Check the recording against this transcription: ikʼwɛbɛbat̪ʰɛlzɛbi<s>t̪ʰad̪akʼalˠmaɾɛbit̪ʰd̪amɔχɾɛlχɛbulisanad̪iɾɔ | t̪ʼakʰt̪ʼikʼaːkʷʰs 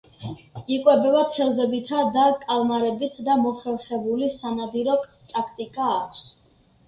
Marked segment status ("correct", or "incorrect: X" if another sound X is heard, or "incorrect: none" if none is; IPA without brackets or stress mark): incorrect: none